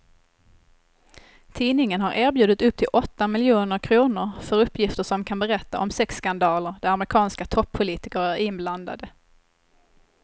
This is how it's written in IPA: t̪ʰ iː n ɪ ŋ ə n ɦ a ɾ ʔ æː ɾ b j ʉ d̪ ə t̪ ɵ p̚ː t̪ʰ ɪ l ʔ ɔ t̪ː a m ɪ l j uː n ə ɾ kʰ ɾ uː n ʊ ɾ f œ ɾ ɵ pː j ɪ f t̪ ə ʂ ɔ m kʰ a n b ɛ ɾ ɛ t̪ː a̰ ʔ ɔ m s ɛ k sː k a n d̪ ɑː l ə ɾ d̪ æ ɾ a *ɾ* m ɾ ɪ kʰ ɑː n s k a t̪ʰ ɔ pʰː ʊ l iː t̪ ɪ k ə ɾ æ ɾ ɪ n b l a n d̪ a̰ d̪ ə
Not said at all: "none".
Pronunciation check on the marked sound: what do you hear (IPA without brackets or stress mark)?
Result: none